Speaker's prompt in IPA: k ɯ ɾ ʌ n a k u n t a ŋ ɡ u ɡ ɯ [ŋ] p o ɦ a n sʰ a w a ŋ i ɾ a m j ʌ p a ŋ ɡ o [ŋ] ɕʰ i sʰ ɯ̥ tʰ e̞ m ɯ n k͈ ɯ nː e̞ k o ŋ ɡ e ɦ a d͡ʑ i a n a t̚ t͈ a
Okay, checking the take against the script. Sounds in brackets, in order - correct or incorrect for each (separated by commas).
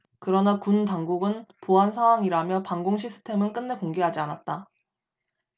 incorrect, correct